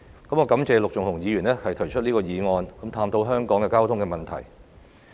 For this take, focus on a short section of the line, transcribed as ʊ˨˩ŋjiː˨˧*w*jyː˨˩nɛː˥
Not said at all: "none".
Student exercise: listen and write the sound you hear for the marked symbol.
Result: none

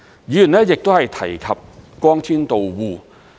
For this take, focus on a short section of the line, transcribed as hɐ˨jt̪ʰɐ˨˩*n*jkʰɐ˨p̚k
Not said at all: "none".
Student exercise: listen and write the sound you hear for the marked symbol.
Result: none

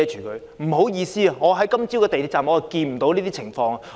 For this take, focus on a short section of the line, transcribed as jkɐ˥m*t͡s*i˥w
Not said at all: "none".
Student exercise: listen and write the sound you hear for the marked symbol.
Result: t͡s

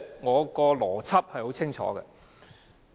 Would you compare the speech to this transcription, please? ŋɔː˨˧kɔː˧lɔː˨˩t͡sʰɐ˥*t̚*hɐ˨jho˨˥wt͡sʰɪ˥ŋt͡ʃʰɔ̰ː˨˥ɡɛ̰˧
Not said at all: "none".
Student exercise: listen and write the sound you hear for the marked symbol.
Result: p̚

